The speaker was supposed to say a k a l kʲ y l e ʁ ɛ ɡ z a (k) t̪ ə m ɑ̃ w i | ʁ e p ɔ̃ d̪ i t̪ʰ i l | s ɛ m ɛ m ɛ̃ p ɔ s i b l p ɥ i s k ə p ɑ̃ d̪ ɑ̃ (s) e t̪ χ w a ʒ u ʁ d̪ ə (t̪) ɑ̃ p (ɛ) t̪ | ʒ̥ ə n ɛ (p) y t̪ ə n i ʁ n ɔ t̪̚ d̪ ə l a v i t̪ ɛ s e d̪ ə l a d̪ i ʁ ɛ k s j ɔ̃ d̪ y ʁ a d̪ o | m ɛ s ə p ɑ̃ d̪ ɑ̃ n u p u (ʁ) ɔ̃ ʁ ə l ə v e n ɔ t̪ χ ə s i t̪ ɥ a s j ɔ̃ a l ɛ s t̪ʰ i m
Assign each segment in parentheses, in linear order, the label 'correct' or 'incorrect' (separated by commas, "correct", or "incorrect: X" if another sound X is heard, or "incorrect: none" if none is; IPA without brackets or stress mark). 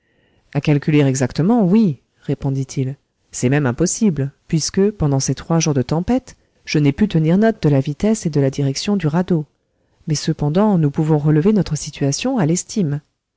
correct, correct, correct, correct, correct, incorrect: v